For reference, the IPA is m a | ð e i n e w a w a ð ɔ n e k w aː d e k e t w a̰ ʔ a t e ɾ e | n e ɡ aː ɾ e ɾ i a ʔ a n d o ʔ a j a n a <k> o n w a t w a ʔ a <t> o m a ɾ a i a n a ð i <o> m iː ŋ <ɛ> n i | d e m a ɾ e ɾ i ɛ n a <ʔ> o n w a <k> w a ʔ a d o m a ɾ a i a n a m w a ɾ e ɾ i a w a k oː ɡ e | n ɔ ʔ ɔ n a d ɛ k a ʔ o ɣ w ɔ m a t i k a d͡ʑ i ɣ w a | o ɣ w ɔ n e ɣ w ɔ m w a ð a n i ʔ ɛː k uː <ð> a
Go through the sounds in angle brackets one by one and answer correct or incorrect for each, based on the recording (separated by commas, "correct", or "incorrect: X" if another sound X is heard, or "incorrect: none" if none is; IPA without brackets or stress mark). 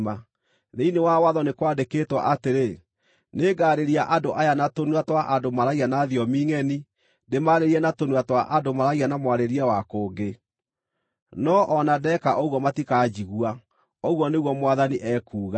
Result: incorrect: t, incorrect: d, incorrect: ɔ, correct, incorrect: t, incorrect: t, incorrect: ɣ